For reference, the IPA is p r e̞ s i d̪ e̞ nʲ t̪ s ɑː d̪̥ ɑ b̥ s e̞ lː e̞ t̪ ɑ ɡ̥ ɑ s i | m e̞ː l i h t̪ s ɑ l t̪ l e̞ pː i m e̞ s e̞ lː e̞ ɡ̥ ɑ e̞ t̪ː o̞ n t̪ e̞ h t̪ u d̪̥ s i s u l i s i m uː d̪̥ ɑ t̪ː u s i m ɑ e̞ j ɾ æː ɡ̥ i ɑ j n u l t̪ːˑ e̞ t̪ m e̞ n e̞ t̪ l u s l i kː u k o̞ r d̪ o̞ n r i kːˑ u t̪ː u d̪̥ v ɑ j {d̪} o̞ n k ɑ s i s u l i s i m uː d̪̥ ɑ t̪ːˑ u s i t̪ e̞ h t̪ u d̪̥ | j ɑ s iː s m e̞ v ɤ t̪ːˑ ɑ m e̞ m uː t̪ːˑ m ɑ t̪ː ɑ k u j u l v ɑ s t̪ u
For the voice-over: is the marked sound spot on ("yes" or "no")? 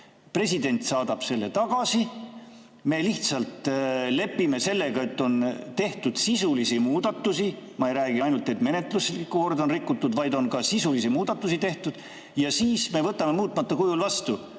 yes